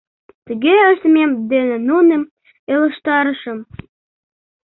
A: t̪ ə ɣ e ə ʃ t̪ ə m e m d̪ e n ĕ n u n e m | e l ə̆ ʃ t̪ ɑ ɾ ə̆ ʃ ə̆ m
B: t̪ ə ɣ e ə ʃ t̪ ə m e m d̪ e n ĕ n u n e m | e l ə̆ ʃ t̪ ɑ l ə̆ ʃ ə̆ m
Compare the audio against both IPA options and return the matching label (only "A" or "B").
A